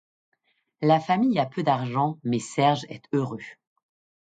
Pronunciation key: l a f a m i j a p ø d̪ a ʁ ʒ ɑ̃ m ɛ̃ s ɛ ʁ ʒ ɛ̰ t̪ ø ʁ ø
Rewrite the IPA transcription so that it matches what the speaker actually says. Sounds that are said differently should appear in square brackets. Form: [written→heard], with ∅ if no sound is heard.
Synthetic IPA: l a f a m i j a p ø d̪ a ʁ ʒ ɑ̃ m [ɛ̃→ɛ] s ɛ ʁ ʒ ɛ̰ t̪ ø ʁ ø